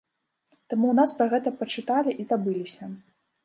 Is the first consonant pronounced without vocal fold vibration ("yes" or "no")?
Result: yes